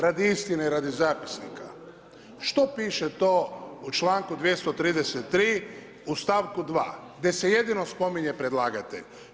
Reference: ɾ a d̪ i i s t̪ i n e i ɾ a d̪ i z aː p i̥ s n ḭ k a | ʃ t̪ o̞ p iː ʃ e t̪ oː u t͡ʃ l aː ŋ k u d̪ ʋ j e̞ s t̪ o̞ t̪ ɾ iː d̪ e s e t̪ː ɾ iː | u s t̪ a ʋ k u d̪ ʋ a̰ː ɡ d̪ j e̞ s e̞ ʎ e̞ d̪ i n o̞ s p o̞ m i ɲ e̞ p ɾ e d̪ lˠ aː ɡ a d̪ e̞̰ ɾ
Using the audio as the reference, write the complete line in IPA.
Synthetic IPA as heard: ɾ a d̪ i i s t̪ i n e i ɾ a d̪ i z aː p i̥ s n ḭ k a | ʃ t̪ o̞ p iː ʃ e t̪ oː u t͡ʃ l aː ŋ k u d̪ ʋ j e̞ s t̪ o̞ t̪ ɾ iː d̪ e s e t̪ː ɾ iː | u s t̪ a ʋ k u d̪ ʋ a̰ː ɡ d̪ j e̞ s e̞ j e̞ d̪ i n o̞ s p o̞ m i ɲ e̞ p ɾ e d̪ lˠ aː ɡ a t̪ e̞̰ ʎ